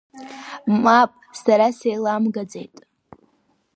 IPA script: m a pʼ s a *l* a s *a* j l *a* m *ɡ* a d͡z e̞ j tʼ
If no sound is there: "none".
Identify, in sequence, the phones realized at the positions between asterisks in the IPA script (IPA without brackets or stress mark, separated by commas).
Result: ɾ, e, a, ɡ